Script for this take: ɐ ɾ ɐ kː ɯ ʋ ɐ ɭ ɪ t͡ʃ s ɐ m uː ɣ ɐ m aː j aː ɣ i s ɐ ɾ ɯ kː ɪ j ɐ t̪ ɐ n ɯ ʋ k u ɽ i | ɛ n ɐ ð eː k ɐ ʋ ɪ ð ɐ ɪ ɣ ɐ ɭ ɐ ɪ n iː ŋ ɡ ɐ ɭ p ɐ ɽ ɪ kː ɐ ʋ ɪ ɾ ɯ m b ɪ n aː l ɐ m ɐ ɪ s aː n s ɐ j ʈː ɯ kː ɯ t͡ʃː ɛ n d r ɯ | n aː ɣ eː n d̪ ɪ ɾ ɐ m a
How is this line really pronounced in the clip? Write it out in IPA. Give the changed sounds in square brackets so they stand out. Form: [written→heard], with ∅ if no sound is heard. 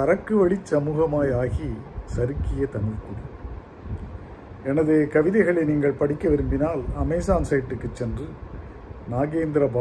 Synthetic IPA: ɐ ɾ ɐ kː ɯ ʋ ɐ ɭ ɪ t͡ʃ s ɐ m uː ɣ ɐ m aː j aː ɣ i s ɐ ɾ ɯ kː ɪ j ɐ t̪ ɐ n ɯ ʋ k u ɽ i | ɛ n ɐ ð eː k ɐ ʋ ɪ ð ɐ ɪ ɣ ɐ ɭ ɐ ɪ n iː ŋ ɡ ɐ ɭ p ɐ ɽ ɪ kː ɐ ʋ ɪ ɾ ɯ m b ɪ n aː l ɐ m ɐ ɪ s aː n s ɐ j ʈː ɯ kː ɯ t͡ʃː ɛ n d r ɯ | n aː ɣ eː n d̪ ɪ ɾ ɐ [m→b] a